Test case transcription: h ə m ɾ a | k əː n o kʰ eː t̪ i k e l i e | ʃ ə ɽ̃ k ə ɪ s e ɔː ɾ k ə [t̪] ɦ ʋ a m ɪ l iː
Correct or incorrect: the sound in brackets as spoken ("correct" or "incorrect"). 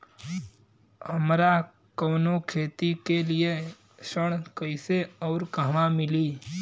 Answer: incorrect